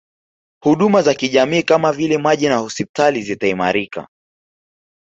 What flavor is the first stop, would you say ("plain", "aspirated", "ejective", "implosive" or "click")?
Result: implosive